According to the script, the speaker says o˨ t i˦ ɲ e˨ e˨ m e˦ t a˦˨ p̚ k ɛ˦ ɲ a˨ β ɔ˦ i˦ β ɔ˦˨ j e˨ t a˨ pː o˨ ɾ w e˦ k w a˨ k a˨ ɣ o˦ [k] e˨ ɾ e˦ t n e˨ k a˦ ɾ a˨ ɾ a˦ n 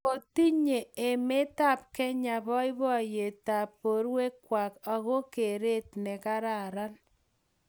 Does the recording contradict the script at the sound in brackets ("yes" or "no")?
no